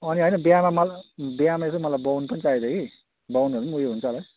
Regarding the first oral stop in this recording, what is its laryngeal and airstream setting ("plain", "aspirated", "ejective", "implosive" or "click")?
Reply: plain